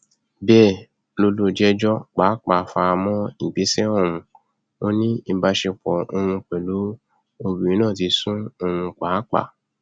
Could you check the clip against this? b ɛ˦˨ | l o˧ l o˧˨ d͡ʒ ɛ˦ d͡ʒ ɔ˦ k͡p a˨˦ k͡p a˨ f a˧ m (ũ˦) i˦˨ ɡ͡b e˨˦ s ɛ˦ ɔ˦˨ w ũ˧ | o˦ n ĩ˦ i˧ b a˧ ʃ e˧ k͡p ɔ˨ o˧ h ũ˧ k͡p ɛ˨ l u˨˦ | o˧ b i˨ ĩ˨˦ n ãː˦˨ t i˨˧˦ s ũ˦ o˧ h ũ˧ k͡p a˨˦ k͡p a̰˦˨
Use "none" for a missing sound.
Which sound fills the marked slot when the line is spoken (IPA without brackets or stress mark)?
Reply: ɔ̃˦